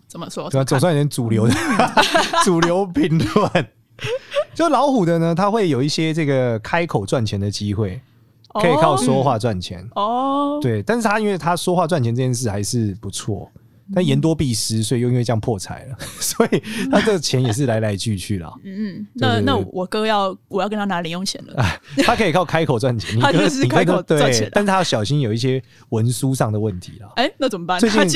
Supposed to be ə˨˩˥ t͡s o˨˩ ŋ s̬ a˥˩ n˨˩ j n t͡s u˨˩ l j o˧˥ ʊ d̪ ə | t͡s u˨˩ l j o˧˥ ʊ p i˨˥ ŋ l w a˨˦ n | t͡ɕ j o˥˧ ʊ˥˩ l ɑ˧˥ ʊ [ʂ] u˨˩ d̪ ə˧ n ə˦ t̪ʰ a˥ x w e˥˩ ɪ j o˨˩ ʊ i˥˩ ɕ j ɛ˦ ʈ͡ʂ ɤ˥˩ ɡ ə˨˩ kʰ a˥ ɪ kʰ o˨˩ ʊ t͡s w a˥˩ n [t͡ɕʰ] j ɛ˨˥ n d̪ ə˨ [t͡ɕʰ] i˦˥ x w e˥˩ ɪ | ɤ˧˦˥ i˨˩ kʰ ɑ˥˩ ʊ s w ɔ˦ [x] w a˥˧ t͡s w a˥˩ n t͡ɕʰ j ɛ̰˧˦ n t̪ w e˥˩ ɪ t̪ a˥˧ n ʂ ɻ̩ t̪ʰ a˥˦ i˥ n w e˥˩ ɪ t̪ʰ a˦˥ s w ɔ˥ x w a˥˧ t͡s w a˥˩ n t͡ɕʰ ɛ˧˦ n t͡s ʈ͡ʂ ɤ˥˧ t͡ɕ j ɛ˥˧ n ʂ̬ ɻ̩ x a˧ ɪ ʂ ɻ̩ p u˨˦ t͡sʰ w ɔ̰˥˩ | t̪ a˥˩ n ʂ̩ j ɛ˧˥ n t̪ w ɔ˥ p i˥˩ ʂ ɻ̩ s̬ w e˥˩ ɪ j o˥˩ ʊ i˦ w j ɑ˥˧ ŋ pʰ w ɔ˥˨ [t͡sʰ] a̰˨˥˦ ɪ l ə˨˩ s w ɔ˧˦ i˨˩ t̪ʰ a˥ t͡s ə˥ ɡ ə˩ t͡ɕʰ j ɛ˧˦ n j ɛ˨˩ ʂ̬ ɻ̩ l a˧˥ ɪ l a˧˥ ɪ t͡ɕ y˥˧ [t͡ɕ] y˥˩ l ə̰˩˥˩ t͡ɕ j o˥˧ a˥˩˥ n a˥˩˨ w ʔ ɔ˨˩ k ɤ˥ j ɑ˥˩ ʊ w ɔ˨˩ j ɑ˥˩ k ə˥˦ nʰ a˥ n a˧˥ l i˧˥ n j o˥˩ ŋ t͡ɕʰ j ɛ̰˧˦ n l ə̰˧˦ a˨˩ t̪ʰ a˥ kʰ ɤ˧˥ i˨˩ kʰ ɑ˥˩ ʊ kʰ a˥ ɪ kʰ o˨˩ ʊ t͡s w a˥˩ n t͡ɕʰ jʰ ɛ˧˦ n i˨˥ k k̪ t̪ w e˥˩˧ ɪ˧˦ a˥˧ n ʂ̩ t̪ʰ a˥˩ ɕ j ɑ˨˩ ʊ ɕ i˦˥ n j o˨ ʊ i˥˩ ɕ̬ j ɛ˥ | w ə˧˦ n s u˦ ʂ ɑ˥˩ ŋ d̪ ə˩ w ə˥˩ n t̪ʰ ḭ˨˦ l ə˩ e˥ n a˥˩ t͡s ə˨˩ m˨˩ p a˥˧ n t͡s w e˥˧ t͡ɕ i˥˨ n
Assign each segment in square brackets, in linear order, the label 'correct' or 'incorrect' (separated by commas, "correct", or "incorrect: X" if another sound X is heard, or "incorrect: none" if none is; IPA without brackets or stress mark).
incorrect: x, correct, incorrect: t͡ɕ, correct, correct, incorrect: t͡ɕʰ